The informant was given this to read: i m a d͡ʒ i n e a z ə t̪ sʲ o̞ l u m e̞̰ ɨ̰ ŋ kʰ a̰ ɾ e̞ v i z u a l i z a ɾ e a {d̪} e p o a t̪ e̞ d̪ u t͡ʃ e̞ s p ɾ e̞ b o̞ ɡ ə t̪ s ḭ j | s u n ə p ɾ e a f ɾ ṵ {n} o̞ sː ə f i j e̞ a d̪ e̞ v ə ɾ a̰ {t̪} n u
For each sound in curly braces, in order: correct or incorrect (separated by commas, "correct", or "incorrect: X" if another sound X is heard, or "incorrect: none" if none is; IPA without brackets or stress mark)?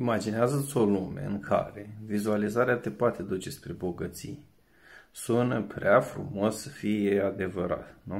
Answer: incorrect: t̪, incorrect: m, correct